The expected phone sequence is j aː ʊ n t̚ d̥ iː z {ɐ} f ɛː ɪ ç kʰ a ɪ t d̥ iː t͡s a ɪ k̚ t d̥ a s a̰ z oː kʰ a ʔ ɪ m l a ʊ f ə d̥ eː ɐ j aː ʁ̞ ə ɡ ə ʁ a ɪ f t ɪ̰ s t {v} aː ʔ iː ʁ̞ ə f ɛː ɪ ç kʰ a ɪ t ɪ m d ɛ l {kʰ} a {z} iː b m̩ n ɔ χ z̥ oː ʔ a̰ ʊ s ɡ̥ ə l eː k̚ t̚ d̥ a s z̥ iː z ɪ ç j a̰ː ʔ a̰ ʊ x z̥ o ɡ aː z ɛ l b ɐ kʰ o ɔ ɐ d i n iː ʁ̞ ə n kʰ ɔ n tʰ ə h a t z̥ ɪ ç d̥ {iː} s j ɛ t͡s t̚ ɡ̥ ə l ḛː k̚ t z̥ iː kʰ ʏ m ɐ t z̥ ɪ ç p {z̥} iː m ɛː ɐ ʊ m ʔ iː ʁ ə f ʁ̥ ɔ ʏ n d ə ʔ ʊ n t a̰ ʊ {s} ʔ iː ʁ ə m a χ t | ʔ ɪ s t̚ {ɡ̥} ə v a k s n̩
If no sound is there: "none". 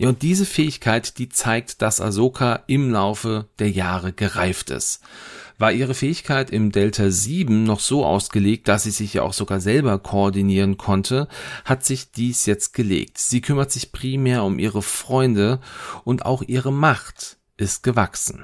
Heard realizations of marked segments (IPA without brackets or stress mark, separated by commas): ə, v, tʰ, z, iː, ʁ̥, x, ɡ̥